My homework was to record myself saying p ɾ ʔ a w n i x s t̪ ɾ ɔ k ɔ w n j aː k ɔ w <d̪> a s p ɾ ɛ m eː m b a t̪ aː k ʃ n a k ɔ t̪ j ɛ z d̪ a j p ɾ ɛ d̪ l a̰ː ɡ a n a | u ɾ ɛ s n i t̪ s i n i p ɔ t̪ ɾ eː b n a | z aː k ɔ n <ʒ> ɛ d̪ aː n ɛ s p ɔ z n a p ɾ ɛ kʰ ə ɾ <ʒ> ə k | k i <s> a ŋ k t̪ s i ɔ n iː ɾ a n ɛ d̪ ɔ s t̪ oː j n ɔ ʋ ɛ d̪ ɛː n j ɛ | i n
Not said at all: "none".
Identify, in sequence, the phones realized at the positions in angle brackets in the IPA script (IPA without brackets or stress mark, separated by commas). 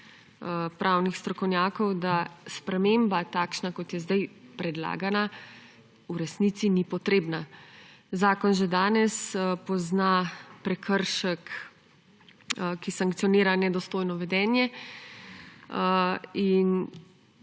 d̪, ʒ, ʃ, s